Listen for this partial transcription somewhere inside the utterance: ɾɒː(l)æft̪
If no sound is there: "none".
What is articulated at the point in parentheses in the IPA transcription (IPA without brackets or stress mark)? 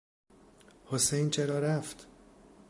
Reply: ɾ